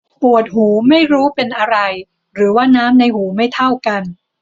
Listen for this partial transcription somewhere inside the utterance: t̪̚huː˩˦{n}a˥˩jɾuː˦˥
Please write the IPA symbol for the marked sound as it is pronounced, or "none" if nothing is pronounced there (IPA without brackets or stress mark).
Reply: m